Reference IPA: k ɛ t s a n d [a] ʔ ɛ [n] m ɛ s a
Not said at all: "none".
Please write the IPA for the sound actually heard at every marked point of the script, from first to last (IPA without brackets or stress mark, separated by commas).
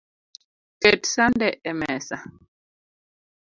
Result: ɛ, none